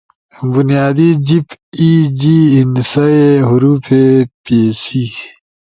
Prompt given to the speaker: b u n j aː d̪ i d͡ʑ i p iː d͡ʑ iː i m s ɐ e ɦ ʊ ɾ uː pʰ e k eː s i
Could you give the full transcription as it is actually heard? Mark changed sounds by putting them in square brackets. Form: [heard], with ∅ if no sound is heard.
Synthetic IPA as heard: b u n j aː d̪ i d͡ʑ i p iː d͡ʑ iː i [n] s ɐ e ɦ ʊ ɾ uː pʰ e [p] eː s i